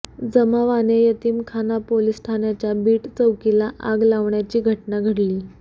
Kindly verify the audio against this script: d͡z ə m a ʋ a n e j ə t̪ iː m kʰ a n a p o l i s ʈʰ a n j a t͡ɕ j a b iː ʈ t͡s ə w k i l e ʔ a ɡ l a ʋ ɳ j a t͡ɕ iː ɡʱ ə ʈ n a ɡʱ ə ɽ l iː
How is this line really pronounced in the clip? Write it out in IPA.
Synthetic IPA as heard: d͡z ə m a ʋ a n e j ə t̪ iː m kʰ a n a p o l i s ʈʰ a n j a t͡ɕ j a b iː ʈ t͡s ə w k i l a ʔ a ɡ l a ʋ ɳ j a t͡ɕ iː ɡʱ ə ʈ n a ɡʱ ə ɽ l iː